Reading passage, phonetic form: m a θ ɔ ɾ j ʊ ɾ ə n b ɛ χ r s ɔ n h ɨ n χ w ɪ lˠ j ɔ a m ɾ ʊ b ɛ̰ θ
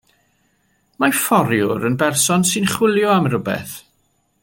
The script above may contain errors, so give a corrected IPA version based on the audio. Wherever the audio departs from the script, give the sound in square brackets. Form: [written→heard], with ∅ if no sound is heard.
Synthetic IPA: m a [θ→f] ɔ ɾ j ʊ ɾ ə n b ɛ [χ→∅] r s ɔ n [h→s] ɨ n χ w ɪ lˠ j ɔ a m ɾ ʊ b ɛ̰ θ

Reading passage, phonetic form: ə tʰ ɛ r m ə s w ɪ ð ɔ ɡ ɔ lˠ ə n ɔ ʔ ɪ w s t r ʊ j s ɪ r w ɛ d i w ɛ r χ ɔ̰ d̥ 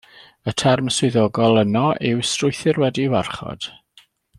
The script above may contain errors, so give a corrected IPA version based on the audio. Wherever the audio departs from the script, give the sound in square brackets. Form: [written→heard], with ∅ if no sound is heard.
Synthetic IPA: ə tʰ ɛ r m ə s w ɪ ð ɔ ɡ ɔ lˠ ə n ɔ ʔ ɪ w s t r ʊ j [s→θ] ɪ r w ɛ d i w [ɛ→a] r χ ɔ̰ d̥

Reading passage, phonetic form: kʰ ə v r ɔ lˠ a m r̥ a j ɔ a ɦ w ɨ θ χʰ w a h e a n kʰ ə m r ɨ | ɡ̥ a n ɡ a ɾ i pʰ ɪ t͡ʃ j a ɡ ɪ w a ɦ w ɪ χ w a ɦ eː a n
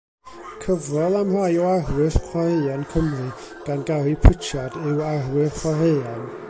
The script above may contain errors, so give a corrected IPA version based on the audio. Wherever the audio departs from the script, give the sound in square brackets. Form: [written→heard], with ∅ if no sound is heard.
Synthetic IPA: kʰ ə v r ɔ lˠ a m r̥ a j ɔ a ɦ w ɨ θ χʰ w a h e a n kʰ ə m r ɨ | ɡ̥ a n ɡ a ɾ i pʰ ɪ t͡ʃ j a [ɡ→d] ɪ w a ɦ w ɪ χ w a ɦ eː a n

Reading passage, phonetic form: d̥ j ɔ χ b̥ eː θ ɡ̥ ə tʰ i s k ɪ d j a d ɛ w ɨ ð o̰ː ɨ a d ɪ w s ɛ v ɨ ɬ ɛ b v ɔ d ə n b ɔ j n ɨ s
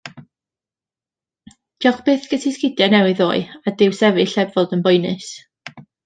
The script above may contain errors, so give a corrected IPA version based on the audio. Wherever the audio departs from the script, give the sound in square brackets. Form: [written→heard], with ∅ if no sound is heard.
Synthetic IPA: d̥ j ɔ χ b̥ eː θ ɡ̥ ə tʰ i s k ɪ d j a [d→n] ɛ w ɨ ð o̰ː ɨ a d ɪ w s ɛ v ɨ ɬ ɛ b v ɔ d ə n b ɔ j n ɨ s

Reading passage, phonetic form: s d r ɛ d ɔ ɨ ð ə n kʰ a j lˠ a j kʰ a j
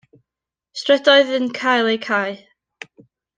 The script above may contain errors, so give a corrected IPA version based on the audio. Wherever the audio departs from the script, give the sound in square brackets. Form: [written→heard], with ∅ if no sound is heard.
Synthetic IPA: s [d→t] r ɛ d ɔ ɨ ð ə n kʰ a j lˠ [a→e] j kʰ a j

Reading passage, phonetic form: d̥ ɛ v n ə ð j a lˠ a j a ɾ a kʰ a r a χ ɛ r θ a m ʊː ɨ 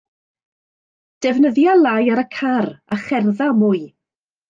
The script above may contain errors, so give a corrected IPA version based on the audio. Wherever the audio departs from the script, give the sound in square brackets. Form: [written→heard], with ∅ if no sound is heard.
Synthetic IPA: d̥ ɛ v n ə ð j a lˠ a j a ɾ [a→ə] kʰ a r a χ ɛ r [θ→ð] a m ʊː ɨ

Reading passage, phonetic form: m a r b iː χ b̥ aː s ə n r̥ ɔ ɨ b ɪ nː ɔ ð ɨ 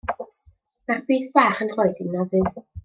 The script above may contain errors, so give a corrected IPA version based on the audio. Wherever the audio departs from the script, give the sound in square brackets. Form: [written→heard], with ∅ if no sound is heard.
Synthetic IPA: m a r b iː [χ→θ] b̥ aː [s→χ] ə n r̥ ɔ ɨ [b→d] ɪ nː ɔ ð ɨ

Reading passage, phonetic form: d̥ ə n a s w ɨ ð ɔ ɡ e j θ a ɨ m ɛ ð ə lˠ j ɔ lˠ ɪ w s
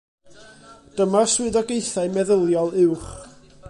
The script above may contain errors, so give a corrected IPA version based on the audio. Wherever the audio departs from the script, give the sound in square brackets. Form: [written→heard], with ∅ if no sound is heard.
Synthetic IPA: d̥ ə [n→m] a s w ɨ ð ɔ ɡ e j θ a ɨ m ɛ ð ə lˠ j ɔ lˠ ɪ w [s→χ]

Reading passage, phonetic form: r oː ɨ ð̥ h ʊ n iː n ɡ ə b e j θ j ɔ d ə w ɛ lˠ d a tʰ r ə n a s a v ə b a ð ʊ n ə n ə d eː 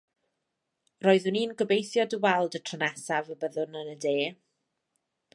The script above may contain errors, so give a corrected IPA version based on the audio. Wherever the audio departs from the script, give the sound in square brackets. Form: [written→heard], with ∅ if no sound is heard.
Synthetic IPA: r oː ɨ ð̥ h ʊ n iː n ɡ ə b e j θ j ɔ d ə w ɛ lˠ d [a→ə] tʰ r ə n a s a v ə b [a→ə] ð ʊ n ə n ə d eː

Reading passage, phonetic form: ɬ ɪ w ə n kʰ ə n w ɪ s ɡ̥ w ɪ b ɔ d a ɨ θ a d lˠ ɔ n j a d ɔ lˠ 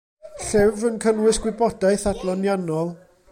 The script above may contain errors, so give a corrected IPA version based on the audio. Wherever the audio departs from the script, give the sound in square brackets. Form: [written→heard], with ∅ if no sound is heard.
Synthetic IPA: ɬ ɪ [w→v] ə n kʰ ə n w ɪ s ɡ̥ w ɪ b ɔ d a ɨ θ a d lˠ ɔ n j a [d→n] ɔ lˠ

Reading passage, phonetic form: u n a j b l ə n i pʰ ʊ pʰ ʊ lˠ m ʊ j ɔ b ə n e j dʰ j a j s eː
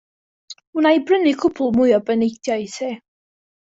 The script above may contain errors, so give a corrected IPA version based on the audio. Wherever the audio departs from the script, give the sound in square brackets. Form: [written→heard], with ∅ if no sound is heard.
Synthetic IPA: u n a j b [l→r] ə n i [pʰ→kʰ] ʊ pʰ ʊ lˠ m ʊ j ɔ b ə n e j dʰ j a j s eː

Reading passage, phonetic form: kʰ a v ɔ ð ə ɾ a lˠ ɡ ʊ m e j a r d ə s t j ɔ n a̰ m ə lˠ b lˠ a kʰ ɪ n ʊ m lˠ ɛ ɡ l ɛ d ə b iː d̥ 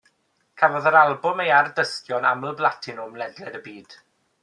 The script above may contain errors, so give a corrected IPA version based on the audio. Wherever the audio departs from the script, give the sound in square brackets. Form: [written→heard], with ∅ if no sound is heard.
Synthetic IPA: kʰ a v ɔ ð ə ɾ a lˠ [ɡ→b] ʊ m e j a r d ə s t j ɔ n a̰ m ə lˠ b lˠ a [kʰ→tʰ] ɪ n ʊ m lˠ ɛ [ɡ→d] l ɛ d ə b iː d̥

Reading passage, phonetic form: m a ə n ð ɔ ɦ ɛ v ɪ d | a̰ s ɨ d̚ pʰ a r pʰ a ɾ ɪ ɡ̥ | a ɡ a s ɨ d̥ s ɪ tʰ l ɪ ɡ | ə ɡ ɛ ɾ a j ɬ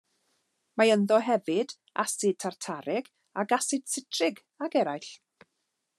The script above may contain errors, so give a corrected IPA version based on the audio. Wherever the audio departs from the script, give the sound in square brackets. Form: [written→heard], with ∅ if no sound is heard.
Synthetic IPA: m a ə n ð ɔ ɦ ɛ v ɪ d | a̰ s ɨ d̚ [pʰ→tʰ] a r [pʰ→tʰ] a ɾ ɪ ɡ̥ | a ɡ a s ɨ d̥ s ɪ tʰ [l→r] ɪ ɡ | [ə→a] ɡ ɛ ɾ a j ɬ

